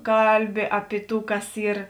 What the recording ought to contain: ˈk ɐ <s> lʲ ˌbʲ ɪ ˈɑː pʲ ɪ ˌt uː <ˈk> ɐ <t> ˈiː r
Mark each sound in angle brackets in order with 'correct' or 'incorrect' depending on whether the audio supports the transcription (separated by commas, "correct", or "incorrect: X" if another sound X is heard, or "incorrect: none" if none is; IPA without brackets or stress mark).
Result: incorrect: none, correct, incorrect: s